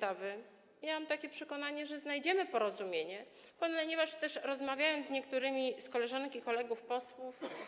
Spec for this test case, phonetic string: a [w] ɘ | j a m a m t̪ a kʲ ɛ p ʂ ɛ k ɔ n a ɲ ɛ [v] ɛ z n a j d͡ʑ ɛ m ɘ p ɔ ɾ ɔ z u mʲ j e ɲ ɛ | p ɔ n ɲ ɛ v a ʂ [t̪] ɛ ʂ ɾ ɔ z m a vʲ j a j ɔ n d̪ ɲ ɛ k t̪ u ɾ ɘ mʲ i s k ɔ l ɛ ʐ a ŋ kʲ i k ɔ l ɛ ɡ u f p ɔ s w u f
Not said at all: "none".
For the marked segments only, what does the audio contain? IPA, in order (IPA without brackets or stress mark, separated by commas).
v, ʐ, t̪